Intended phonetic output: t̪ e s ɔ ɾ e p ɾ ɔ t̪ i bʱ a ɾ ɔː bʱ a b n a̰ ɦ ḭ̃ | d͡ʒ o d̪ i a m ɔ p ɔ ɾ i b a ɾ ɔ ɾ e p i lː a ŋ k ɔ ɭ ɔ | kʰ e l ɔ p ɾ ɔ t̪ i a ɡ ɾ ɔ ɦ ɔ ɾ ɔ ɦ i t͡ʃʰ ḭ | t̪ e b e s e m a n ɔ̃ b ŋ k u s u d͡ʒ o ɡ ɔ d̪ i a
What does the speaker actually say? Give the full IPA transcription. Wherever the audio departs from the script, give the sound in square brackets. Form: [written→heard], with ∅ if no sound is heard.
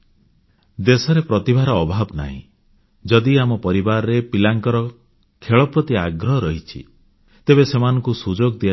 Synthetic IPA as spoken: [t̪→d̪] e s ɔ ɾ e p ɾ ɔ t̪ i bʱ a ɾ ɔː bʱ a b n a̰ ɦ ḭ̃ | d͡ʒ [o→ɔ] d̪ i a m ɔ p ɔ ɾ i b a ɾ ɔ ɾ e p i [lː→l] a ŋ k ɔ [ɭ→ɾ] ɔ | kʰ e [l→ɭ] ɔ p ɾ ɔ t̪ i a ɡ ɾ ɔ ɦ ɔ ɾ ɔ ɦ i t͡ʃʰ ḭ | t̪ e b e s e m a n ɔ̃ [b→∅] ŋ k u s u d͡ʒ o ɡ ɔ d̪ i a

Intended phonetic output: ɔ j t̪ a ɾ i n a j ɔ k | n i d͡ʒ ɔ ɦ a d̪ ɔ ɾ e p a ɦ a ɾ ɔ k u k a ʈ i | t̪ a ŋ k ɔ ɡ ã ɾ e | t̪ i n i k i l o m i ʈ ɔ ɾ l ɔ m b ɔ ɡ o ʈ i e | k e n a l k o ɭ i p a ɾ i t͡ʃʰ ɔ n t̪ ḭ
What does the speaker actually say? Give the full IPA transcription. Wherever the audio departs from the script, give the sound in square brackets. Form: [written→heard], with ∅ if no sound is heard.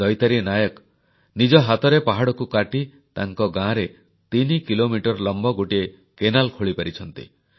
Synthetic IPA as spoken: ɔ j t̪ a ɾ i n a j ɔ k | n i d͡ʒ ɔ ɦ a [d̪→t̪] ɔ ɾ e p a ɦ a [ɾ→ɽ] ɔ k u k a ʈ i | t̪ a ŋ k ɔ ɡ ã ɾ e | t̪ i n i k i l o m i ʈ ɔ ɾ l ɔ m b ɔ ɡ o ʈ i e | k e n a l [k→kʰ] o ɭ i p a ɾ i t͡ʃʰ ɔ n t̪ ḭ

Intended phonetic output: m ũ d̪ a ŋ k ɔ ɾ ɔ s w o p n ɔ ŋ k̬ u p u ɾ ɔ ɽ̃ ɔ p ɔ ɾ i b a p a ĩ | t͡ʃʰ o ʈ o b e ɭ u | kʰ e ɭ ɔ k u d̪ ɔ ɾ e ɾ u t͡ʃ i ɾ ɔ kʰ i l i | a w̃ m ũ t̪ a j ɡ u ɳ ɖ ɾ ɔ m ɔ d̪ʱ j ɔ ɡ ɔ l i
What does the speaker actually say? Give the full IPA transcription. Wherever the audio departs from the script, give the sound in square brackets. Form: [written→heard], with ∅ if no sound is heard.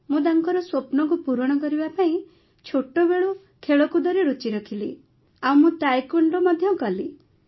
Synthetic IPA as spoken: m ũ d̪ a ŋ k ɔ ɾ ɔ s w o p n ɔ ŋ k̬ u p u ɾ ɔ ɽ̃ ɔ [p→k] ɔ ɾ i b a p a ĩ | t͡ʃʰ o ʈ o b e ɭ u | kʰ e ɭ ɔ k u d̪ ɔ ɾ e ɾ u t͡ʃ i ɾ ɔ kʰ i l i | a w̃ m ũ t̪ a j [ɡ→k] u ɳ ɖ ɾ ɔ m ɔ d̪ʱ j ɔ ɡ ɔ l i

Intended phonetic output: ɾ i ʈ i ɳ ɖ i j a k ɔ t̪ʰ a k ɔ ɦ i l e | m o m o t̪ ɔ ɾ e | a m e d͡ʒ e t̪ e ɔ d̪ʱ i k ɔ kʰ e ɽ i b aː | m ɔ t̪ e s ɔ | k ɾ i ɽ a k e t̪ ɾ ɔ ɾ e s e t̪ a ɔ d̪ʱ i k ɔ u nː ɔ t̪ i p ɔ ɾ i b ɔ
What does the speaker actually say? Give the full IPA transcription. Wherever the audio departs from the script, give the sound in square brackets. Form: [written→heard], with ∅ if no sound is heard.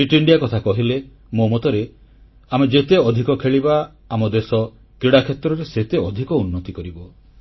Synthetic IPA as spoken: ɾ i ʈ i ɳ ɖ i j a k ɔ t̪ʰ a k ɔ ɦ i l e | m o m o t̪ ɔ ɾ e | a m e d͡ʒ e t̪ e ɔ d̪ʱ i k ɔ kʰ e [ɽ→ɭ] i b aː | m ɔ [t̪→d̪] e s ɔ | k ɾ i ɽ a [k→kʰ] e t̪ ɾ ɔ ɾ e s e t̪ [a→e] ɔ d̪ʱ i k ɔ u nː ɔ t̪ i [p→k] ɔ ɾ i b ɔ

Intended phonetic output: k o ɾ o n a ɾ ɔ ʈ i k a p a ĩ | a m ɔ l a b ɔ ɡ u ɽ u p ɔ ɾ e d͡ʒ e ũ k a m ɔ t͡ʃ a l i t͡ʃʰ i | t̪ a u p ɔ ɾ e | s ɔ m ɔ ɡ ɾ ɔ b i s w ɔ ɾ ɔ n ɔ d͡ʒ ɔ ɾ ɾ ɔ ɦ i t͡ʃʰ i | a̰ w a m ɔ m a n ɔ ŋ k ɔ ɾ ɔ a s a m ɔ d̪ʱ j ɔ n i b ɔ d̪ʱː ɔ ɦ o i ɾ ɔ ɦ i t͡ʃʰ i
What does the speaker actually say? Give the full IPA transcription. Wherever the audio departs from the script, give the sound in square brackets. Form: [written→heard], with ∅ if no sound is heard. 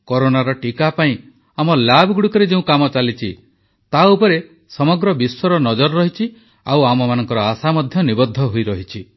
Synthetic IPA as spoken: k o ɾ o n a ɾ ɔ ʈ i k a p a ĩ | a m ɔ l a b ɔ ɡ u ɽ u [p→k] ɔ ɾ e d͡ʒ e ũ k a m ɔ t͡ʃ a l i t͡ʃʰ i | t̪ a u p ɔ ɾ e | s ɔ m ɔ ɡ ɾ ɔ b i s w ɔ ɾ ɔ n ɔ d͡ʒ ɔ ɾ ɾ ɔ ɦ i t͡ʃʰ i | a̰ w a m ɔ m a n ɔ ŋ k ɔ ɾ ɔ a s a m ɔ d̪ʱ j ɔ n i b ɔ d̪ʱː ɔ ɦ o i ɾ ɔ ɦ i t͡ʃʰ i

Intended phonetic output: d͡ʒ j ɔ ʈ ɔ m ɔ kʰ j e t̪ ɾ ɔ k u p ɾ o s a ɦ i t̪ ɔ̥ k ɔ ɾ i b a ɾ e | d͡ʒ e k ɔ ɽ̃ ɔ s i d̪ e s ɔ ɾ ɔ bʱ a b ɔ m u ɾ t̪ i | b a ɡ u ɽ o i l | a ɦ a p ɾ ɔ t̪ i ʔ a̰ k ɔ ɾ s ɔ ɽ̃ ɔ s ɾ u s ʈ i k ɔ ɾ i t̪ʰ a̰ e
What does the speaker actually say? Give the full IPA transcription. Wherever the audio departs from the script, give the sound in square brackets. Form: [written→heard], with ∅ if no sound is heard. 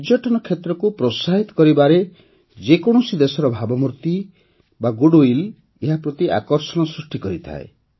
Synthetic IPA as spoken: d͡ʒ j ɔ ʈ ɔ [m→n] ɔ kʰ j e t̪ ɾ ɔ k u p ɾ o s a ɦ i t̪ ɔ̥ k ɔ ɾ i b a ɾ e | d͡ʒ e k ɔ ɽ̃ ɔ s i d̪ e s ɔ ɾ ɔ bʱ a b ɔ m u ɾ t̪ i | b a ɡ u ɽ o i l | [a→e] ɦ a p ɾ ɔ t̪ i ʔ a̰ k ɔ ɾ s ɔ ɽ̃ ɔ s ɾ u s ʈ i k ɔ ɾ i t̪ʰ a̰ e

